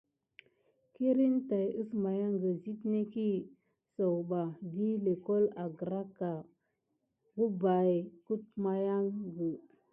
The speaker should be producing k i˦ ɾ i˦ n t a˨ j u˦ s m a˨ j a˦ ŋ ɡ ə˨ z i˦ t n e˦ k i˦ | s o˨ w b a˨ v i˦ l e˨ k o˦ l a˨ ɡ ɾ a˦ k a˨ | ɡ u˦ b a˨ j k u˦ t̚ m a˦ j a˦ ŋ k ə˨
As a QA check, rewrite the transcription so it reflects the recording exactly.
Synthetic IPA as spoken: k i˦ ɾ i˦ n t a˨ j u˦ s m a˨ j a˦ ŋ ɡ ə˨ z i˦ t n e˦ k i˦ | s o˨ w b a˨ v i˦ l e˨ k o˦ l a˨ ɡ ɾ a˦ k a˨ | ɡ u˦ b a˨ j k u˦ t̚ m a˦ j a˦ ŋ ɡ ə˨